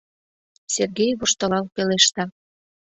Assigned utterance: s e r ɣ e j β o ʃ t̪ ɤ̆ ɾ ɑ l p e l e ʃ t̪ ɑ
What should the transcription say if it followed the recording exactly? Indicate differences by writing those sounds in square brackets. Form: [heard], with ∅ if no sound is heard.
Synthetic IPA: s e r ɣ e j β o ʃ t̪ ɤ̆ [l] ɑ l p e l e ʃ t̪ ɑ